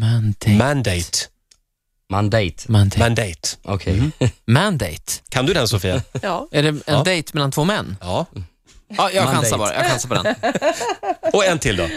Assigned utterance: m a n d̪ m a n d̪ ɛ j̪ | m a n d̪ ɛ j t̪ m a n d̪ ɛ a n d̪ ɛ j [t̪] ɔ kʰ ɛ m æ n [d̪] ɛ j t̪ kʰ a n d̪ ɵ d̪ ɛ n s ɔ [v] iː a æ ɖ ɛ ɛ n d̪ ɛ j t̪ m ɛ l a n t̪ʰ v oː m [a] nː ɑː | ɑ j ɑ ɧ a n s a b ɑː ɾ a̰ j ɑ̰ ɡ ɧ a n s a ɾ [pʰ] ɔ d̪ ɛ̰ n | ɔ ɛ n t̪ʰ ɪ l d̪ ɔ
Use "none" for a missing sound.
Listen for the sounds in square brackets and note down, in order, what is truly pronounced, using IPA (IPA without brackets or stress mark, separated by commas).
t̪, d̪, f, ɛ, p